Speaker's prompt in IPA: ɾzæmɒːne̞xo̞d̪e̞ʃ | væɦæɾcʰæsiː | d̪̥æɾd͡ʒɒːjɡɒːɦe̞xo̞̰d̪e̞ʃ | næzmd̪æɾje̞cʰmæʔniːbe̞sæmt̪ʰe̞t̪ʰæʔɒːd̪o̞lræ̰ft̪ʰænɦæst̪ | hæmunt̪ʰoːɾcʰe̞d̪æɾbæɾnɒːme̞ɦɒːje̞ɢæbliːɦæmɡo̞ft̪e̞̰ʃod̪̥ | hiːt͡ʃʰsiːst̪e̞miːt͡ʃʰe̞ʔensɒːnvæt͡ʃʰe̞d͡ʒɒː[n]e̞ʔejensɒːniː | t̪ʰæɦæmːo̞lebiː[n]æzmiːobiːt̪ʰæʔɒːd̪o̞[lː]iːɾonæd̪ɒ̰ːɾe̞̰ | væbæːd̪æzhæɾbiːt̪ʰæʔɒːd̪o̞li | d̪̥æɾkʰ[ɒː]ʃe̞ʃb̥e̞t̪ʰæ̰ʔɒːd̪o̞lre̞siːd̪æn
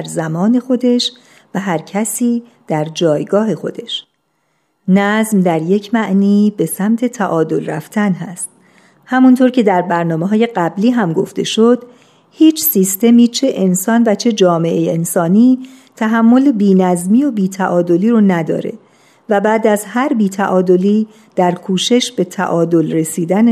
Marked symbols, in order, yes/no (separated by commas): no, yes, no, no